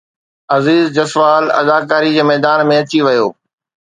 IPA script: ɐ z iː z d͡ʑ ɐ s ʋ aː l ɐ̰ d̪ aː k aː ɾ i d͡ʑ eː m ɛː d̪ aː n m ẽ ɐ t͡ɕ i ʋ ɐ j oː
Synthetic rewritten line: ɐ z iː z d͡ʑ ɐ s ʋ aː l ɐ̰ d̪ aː k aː ɾ i d͡ʑ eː m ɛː d̪ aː n m ẽ ɐ t͡ɕ i ʋ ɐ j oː